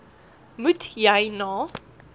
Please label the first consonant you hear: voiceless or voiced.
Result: voiced